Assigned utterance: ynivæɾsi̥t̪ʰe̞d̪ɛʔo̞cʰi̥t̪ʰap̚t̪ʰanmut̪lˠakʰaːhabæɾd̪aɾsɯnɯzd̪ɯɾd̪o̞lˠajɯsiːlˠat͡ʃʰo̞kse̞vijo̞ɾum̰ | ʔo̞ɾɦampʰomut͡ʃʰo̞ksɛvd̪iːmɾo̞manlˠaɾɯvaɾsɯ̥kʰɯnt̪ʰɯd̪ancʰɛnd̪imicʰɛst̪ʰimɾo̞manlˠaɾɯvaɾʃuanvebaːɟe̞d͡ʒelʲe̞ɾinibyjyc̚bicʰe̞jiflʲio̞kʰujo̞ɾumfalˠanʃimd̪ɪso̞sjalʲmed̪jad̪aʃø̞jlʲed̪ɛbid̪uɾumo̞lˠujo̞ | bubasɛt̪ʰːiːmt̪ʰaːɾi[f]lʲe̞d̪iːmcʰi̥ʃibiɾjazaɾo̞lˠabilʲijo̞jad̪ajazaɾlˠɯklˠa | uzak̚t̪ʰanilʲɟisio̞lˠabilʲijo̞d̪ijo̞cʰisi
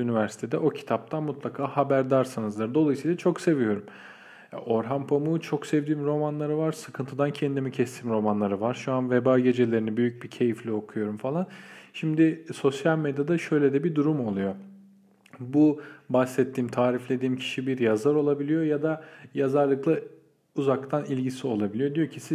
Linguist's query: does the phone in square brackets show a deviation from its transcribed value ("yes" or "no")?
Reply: no